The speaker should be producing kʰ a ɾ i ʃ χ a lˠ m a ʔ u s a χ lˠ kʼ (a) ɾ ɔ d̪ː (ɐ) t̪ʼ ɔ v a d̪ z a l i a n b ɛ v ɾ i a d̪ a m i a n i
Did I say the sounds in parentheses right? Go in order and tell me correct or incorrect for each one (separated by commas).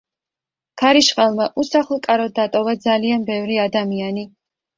correct, incorrect